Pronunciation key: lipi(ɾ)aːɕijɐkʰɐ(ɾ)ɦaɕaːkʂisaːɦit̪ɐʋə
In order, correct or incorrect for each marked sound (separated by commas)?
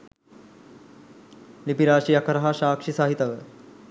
correct, correct